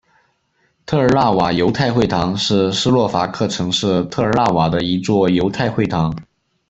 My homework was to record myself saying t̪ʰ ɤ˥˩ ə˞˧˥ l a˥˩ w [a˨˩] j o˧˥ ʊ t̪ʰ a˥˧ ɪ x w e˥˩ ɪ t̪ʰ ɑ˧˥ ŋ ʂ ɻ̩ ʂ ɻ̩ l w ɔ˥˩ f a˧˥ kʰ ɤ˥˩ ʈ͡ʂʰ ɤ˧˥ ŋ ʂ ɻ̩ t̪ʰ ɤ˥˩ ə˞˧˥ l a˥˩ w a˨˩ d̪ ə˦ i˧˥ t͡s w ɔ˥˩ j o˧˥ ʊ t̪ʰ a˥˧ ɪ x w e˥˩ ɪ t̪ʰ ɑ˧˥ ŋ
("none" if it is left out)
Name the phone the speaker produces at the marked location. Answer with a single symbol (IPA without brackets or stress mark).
a˨˩